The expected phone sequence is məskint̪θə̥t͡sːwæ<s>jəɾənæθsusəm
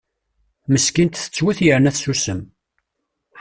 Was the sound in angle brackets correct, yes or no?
no